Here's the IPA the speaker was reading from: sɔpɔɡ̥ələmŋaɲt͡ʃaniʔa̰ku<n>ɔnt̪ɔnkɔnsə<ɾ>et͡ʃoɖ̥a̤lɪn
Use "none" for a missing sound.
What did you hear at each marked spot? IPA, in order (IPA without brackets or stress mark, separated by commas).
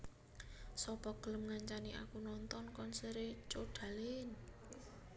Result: n, ɾ